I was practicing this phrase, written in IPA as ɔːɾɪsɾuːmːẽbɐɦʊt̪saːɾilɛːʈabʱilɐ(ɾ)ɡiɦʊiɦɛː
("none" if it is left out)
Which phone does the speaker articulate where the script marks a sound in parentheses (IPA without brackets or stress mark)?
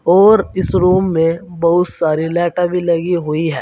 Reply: none